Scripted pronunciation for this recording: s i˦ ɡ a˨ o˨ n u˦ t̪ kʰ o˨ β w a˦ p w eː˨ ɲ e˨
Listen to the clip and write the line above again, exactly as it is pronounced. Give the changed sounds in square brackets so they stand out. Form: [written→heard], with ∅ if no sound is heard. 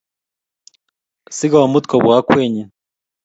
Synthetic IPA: s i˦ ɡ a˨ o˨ [n→m] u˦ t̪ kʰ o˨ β w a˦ [p→k] w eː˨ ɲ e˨